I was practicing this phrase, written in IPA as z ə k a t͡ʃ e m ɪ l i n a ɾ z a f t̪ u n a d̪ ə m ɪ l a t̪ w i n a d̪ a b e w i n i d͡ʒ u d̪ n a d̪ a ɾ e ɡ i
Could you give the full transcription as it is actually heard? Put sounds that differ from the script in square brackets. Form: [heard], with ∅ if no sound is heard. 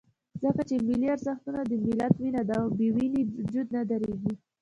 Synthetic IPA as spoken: z ə k a t͡ʃ e m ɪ l i [∅] a ɾ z a [x] t̪ u n a d̪ ə m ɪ l a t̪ w i n a d̪ a b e w i n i d͡ʒ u d̪ n a d̪ a ɾ e ɡ i

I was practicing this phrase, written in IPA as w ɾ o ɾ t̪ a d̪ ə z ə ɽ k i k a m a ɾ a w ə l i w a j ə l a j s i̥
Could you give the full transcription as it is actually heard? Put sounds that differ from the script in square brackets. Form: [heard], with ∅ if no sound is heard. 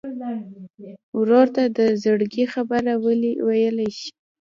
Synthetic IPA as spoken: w ɾ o ɾ t̪ a d̪ ə z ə ɽ [ɡ] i [x] a [b] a ɾ a w ə l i w a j ə l a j [ʃ] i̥

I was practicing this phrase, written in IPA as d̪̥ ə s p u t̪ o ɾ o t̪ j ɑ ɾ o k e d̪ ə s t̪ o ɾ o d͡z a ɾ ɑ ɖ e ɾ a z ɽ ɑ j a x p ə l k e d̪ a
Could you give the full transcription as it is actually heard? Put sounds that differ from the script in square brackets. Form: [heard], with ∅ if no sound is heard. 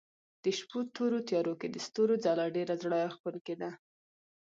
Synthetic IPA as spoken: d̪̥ ə [ʃ] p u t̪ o ɾ o t̪ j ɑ ɾ o k e d̪ ə s t̪ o ɾ o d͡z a [l] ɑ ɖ e ɾ a z ɽ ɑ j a x p ə l k e d̪ a

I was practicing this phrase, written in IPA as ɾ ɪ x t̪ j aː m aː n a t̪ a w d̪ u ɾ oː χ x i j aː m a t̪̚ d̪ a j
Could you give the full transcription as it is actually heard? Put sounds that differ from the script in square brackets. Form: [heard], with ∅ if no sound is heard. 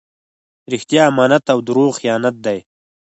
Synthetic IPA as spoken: ɾ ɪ x t̪ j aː m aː n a t̪ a w d̪ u ɾ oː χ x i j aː [n] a t̪̚ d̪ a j

